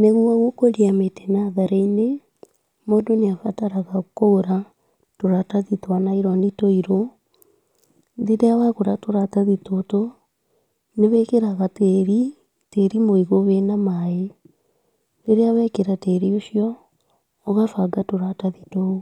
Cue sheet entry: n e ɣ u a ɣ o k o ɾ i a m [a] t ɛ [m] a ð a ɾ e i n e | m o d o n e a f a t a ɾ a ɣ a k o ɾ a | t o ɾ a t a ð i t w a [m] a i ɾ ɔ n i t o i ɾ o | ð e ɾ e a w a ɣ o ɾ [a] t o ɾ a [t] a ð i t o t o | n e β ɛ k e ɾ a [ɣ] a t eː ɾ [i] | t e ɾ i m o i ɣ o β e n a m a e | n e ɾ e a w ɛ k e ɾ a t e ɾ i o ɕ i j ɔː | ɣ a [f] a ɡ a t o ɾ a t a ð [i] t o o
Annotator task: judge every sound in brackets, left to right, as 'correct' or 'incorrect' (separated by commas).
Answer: incorrect, incorrect, incorrect, correct, correct, correct, correct, correct, correct